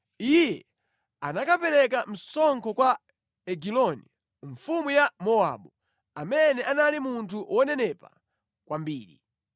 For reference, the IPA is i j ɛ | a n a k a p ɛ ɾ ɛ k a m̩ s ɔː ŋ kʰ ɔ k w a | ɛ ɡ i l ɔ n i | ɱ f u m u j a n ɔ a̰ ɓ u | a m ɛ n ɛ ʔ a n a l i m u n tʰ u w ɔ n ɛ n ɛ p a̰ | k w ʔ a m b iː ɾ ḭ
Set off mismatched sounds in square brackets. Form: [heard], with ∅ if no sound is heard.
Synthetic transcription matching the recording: i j ɛ | a n a k a p ɛ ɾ ɛ k a m̩ s [ɔ] ŋ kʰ ɔ k w a | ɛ ɡ i l ɔ n i | ɱ f u m u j a [m] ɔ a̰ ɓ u | a m ɛ n ɛ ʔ a n a l i m u n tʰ u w ɔ n ɛ n ɛ p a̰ | k w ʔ a m b iː ɾ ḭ